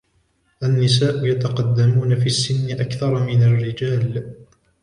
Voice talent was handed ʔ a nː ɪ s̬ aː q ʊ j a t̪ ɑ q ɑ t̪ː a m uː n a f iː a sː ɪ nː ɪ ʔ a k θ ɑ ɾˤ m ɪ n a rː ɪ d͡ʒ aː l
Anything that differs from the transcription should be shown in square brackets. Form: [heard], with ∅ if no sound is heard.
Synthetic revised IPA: ʔ a nː ɪ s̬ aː [ʔ] ʊ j a t̪ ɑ q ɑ [d̪ː] a m uː n a f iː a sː ɪ nː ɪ ʔ a k θ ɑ ɾˤ m ɪ n a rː ɪ d͡ʒ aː l